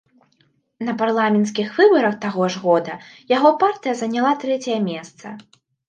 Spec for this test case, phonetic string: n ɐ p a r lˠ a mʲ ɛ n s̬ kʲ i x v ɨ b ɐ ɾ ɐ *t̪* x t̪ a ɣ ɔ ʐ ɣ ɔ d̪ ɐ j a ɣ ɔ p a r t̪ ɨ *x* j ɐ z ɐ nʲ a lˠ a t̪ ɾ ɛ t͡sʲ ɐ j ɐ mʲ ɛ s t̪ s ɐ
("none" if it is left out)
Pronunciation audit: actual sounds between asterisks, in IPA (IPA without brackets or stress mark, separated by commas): none, none